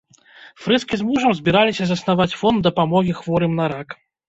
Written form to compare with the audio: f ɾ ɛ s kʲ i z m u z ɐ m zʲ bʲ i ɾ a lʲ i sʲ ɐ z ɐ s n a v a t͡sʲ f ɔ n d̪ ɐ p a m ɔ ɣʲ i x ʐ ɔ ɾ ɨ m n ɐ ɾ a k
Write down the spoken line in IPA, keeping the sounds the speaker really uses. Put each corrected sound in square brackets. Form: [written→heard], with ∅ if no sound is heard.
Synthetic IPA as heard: f ɾ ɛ s kʲ i z m u [z→ʐ] ɐ m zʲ bʲ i ɾ a lʲ i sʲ ɐ z ɐ s n a v a t͡sʲ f ɔ n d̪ ɐ p a m ɔ ɣʲ i x [ʐ→v] ɔ ɾ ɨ m n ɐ ɾ a k